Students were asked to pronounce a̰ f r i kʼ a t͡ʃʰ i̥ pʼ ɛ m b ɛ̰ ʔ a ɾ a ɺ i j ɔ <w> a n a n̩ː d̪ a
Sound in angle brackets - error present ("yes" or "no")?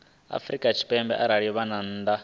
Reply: yes